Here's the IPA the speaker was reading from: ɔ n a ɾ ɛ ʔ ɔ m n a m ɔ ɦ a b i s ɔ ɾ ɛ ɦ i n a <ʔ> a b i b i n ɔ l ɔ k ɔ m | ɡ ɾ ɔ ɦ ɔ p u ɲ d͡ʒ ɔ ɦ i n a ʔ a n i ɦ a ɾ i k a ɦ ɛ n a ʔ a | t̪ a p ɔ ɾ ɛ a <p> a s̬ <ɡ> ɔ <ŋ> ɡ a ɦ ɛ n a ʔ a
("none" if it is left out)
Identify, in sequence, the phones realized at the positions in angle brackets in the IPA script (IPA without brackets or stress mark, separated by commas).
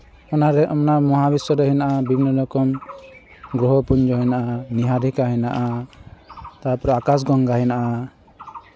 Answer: ʔ, k, ɡ, ŋ